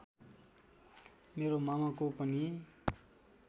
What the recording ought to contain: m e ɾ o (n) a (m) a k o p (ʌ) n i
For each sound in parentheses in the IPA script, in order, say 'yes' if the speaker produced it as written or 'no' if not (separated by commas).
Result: no, yes, yes